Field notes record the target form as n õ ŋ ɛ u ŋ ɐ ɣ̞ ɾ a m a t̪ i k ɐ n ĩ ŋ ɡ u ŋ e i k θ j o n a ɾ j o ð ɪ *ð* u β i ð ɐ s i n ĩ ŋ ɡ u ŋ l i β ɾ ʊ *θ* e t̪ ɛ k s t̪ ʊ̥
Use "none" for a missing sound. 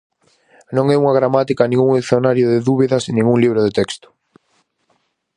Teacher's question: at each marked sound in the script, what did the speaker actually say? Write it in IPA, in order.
ð, ð

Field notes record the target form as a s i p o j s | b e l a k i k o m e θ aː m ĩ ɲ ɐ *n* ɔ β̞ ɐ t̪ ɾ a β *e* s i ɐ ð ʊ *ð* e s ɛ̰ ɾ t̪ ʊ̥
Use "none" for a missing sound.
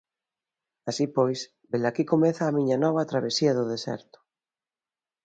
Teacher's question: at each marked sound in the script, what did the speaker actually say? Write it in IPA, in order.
n, e, ð

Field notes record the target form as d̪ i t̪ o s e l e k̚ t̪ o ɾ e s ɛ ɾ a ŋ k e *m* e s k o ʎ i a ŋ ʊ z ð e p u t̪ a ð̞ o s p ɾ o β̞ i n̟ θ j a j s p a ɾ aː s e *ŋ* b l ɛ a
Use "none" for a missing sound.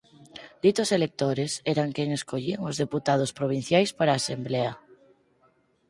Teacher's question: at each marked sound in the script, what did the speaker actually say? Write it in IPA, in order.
ŋ, m

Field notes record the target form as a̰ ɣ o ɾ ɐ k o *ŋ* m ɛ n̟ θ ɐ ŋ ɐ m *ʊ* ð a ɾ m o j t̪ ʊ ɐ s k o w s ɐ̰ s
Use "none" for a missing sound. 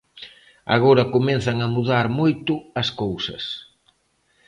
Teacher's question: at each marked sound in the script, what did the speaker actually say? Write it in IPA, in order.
none, u

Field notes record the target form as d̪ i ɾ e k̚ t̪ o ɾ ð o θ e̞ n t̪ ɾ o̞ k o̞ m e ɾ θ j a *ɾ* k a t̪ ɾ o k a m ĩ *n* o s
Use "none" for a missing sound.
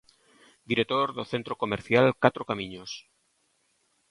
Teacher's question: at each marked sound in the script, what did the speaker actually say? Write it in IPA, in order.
l, ɲ

